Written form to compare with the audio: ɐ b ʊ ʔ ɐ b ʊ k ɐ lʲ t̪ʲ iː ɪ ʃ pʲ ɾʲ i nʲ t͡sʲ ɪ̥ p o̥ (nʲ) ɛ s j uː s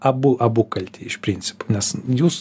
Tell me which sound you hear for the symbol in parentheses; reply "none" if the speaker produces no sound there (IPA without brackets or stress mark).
nʲ